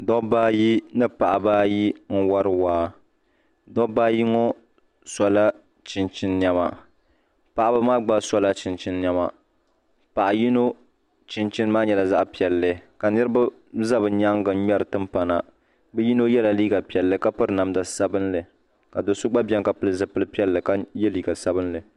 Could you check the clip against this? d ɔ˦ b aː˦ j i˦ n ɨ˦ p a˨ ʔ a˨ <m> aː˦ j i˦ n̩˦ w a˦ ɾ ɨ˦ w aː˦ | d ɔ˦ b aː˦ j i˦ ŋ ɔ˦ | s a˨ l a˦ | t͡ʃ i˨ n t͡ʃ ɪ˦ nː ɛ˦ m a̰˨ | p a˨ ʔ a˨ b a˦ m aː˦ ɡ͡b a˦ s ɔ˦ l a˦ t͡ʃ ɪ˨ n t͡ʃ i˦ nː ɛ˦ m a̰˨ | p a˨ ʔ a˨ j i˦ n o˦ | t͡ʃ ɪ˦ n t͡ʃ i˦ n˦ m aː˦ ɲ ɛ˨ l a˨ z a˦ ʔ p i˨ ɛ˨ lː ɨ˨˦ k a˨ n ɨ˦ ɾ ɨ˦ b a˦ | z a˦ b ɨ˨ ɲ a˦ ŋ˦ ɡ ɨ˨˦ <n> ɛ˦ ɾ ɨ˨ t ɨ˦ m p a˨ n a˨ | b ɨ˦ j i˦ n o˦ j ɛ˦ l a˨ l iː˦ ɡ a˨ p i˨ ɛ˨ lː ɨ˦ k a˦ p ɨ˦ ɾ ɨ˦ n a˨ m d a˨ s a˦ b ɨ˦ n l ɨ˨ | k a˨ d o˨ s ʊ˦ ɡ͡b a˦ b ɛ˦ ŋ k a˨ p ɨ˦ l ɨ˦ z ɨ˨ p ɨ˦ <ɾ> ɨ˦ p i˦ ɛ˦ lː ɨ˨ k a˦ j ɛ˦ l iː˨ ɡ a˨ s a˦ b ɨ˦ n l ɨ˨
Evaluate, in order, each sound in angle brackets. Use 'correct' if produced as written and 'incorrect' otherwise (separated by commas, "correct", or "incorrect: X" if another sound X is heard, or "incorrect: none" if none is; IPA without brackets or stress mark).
incorrect: b, incorrect: ɲ, incorrect: l